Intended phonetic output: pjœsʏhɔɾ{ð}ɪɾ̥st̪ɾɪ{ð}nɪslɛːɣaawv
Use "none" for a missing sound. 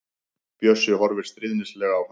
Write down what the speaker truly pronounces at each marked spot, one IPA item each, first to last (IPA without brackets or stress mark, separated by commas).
v, ð